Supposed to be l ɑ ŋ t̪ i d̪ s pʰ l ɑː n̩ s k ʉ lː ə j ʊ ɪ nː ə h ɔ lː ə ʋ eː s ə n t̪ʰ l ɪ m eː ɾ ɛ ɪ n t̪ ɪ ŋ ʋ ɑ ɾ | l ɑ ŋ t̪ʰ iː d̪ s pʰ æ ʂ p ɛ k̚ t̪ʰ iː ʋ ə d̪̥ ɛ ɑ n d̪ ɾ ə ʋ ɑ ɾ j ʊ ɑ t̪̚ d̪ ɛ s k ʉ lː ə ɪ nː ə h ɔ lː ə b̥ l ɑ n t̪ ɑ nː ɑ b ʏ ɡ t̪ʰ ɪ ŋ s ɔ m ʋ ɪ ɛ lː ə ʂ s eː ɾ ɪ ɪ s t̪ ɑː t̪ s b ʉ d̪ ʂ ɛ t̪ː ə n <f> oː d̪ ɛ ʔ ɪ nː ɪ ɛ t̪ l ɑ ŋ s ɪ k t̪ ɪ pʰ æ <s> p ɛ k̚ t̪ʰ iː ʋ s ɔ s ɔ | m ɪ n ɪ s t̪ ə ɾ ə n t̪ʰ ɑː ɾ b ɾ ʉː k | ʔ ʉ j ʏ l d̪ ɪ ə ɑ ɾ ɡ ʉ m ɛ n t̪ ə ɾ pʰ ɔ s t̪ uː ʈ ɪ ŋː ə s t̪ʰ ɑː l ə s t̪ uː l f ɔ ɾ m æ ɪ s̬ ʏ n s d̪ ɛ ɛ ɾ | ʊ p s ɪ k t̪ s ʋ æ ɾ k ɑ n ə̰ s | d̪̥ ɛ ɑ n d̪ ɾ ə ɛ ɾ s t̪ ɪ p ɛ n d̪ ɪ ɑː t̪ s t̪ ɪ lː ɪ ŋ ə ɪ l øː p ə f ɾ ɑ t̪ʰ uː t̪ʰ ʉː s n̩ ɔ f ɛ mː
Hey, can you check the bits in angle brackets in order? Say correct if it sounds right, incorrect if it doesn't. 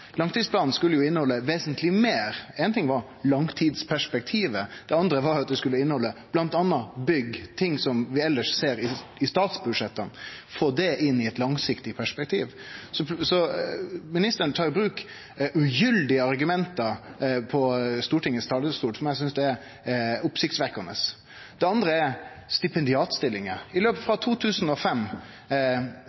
correct, incorrect: ʂ

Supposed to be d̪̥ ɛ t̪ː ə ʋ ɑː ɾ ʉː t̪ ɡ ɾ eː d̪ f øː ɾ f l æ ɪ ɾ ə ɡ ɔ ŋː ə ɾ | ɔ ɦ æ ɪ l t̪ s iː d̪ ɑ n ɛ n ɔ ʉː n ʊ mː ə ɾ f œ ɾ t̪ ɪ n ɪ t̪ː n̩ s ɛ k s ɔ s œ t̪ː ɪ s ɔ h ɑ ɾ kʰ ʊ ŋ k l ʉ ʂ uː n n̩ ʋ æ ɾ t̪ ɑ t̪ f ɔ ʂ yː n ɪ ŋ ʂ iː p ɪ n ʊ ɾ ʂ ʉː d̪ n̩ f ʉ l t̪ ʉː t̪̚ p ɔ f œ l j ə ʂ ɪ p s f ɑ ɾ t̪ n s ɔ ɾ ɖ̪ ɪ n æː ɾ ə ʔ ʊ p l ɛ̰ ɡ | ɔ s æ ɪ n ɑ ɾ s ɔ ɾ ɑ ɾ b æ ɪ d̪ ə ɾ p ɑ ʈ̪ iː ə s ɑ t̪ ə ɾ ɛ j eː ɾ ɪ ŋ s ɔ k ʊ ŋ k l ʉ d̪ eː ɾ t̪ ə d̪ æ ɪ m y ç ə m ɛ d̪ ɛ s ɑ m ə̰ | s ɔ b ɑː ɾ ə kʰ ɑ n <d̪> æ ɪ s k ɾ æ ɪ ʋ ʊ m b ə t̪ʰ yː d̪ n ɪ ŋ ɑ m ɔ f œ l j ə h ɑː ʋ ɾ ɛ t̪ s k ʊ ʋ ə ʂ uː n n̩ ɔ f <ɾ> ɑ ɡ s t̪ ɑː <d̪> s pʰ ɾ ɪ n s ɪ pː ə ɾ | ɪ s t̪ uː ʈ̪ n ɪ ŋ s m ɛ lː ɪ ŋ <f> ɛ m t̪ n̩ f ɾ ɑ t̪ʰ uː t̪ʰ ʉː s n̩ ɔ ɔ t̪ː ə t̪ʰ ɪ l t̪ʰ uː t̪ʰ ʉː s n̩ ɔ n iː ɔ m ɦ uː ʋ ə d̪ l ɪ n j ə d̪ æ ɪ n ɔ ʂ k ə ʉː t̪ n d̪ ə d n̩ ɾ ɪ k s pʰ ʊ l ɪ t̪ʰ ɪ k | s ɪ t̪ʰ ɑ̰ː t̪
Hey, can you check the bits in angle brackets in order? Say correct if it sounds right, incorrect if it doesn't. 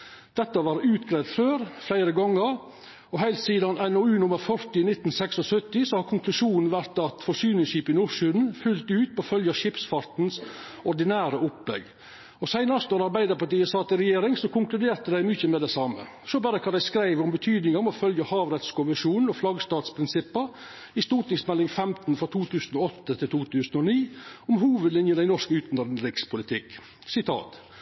correct, incorrect: l, incorrect: t̪, correct

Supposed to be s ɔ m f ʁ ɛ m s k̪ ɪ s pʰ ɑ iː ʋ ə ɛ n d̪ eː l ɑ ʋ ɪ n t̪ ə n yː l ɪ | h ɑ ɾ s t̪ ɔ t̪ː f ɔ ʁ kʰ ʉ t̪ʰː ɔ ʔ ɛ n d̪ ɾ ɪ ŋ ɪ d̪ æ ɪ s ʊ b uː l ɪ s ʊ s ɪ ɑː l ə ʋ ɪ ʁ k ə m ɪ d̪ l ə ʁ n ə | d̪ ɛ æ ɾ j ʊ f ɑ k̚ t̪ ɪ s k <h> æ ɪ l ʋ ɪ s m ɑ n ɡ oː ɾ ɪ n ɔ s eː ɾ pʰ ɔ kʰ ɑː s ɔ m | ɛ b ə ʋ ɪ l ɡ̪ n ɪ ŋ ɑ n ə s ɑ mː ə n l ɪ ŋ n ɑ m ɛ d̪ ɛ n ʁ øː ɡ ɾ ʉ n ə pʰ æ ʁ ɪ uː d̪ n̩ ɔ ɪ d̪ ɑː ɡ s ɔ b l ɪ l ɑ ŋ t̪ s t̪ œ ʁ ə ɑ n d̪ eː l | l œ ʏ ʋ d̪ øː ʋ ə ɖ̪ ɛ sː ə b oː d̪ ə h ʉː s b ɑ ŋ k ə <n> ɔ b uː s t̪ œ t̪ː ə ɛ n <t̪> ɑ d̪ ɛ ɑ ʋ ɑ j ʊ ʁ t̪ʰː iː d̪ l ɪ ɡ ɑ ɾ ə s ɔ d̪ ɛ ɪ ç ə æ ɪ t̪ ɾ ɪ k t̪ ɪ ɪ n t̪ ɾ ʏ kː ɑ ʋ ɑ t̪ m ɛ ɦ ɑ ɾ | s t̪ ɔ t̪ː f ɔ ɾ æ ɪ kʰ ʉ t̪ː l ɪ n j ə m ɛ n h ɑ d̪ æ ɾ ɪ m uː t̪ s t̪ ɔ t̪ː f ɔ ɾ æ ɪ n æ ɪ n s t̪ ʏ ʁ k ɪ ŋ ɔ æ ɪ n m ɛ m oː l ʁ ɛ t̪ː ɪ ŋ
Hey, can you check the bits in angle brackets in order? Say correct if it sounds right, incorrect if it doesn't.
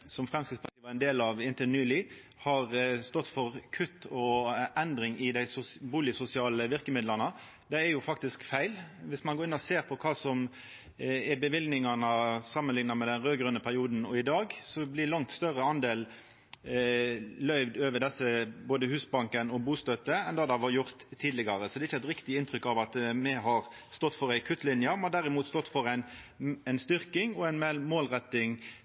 incorrect: f, correct, incorrect: d̪

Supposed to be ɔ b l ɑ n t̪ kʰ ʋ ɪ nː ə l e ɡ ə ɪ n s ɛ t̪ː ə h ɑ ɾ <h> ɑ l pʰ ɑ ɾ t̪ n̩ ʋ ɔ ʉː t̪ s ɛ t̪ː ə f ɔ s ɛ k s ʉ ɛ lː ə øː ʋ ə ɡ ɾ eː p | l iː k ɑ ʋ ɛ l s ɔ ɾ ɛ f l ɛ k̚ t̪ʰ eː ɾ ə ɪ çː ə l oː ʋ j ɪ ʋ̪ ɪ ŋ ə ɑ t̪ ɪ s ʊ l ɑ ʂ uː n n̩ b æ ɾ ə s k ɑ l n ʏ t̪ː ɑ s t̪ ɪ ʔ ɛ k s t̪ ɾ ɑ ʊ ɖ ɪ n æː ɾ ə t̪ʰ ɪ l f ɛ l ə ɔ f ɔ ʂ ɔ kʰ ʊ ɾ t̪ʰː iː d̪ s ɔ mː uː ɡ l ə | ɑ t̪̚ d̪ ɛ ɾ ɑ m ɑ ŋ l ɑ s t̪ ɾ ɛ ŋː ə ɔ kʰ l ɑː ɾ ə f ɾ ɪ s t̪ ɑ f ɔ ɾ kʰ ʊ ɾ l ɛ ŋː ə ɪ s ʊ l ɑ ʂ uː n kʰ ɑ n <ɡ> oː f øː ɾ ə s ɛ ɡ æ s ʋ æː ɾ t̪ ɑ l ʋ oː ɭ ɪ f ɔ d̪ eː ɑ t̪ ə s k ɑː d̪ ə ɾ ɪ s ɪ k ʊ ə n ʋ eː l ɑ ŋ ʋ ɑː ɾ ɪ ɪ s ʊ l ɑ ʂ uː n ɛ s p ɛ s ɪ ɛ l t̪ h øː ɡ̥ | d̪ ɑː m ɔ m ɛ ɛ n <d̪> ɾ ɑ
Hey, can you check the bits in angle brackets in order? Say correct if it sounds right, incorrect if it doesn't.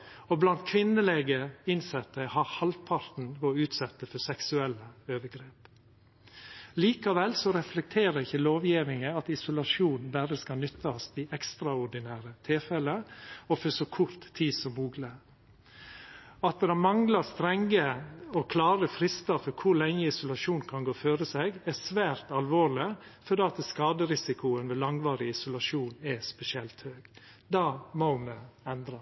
correct, correct, correct

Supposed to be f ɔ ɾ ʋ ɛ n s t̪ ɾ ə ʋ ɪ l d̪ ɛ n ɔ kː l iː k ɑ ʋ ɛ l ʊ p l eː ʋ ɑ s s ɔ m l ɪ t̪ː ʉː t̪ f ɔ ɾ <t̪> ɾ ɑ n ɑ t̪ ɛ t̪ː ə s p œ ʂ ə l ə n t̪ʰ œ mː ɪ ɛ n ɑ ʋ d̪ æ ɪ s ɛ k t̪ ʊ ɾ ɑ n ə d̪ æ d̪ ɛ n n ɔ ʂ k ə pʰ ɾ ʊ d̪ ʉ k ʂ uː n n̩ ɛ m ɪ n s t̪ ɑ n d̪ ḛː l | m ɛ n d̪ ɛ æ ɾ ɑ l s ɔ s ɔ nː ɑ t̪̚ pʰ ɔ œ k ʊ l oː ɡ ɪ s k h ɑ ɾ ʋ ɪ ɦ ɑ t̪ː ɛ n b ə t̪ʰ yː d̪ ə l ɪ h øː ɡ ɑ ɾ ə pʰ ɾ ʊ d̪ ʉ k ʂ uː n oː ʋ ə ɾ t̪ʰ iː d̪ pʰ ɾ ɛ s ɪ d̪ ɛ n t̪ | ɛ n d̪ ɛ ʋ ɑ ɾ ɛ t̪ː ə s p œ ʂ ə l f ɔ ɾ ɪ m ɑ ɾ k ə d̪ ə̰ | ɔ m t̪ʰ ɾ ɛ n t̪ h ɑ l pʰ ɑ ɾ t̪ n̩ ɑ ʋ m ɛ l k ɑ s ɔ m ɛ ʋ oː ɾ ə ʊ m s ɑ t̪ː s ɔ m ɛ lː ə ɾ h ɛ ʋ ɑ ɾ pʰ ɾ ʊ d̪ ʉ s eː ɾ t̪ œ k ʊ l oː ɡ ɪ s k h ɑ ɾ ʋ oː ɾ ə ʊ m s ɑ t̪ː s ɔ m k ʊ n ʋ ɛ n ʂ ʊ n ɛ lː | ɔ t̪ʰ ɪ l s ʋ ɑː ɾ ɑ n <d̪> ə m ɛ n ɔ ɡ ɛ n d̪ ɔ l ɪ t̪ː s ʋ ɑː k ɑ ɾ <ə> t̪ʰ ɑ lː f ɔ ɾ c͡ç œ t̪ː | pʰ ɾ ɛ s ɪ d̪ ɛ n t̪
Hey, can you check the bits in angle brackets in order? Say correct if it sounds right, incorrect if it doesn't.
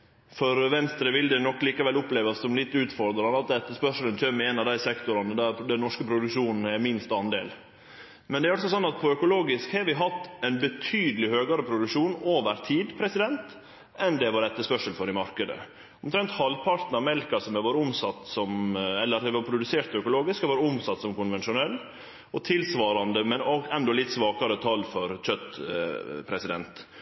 incorrect: d̪, correct, correct

